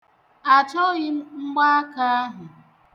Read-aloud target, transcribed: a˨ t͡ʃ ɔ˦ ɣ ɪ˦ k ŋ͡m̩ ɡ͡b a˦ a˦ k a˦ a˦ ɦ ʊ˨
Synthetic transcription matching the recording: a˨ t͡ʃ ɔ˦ ɣ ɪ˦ ŋ͡m̩ ɡ͡b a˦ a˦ k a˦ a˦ ɦ ʊ˨